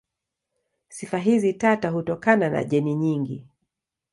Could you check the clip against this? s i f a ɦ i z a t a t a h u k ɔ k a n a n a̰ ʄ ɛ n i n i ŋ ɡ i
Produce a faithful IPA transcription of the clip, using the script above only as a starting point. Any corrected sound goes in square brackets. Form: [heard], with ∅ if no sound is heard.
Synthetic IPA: s i f a ɦ i z [i] t a t a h u [t] ɔ k a n a n a̰ ʄ ɛ n i [ɲ] i ŋ ɡ i